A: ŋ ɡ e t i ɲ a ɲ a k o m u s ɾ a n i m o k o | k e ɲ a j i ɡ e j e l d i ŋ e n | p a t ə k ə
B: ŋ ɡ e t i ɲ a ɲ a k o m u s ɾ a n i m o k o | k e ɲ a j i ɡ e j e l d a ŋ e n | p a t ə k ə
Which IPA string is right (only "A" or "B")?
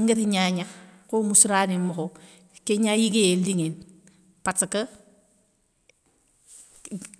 A